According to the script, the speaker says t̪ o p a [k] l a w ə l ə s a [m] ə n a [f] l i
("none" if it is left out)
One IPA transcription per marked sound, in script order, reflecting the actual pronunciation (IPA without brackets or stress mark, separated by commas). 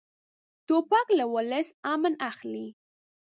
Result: k, m, x